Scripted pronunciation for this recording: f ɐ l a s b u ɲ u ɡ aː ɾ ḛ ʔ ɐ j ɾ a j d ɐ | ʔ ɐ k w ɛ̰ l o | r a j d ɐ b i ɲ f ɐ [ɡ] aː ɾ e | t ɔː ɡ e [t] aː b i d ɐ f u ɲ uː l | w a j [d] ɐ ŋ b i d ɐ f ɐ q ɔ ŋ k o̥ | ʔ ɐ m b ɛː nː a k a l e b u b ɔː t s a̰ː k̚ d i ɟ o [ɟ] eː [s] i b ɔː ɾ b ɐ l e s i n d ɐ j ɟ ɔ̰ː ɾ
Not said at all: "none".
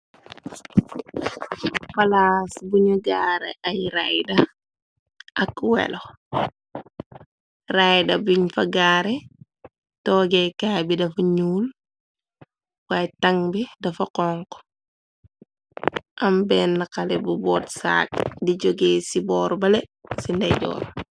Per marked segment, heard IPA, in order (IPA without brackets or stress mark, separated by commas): ɡ, k, t, ɡ, s